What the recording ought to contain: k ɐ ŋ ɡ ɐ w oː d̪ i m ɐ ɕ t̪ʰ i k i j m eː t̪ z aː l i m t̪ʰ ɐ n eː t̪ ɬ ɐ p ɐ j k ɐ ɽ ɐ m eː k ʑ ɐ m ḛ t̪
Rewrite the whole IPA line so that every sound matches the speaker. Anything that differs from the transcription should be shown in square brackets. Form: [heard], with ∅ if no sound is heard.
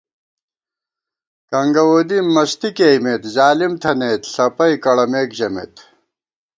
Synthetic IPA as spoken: k ɐ ŋ ɡ ɐ w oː d̪ i m ɐ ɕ [t̪] i k [e] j m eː t̪ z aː l i m t̪ʰ ɐ n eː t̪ ɬ ɐ p ɐ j k ɐ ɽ ɐ m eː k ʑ ɐ m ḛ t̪